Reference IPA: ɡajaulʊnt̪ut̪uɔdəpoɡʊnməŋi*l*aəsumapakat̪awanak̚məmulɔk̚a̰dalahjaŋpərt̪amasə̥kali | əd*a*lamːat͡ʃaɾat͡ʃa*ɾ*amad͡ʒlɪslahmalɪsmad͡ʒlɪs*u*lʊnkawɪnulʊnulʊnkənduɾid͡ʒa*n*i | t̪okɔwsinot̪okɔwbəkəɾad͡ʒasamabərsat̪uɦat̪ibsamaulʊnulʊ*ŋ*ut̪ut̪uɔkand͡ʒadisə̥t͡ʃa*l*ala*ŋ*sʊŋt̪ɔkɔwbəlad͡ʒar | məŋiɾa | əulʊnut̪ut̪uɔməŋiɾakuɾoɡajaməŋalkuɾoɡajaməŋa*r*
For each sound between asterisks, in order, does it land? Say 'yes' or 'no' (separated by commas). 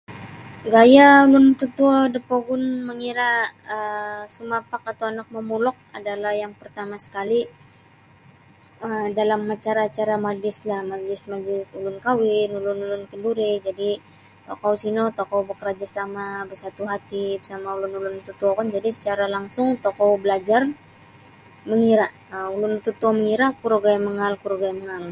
no, yes, yes, yes, no, no, no, yes, no